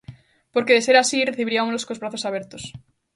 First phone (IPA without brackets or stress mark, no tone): p